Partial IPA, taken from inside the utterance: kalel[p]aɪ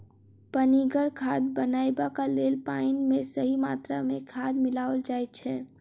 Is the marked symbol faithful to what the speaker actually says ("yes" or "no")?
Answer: yes